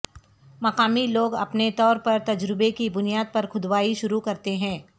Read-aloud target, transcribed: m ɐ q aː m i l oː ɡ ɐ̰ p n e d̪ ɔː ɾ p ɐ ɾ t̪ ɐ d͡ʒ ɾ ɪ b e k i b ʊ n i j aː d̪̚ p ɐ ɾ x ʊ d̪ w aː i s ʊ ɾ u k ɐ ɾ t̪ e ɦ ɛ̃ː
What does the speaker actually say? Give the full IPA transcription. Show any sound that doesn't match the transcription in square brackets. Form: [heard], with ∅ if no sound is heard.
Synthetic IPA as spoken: m ɐ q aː m i l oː ɡ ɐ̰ p n e [t̪] ɔː ɾ p ɐ ɾ t̪ ɐ d͡ʒ ɾ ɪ b e k i b ʊ n i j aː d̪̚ p ɐ ɾ x ʊ d̪ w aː i [ʃ] ʊ ɾ u k ɐ ɾ t̪ e ɦ ɛ̃ː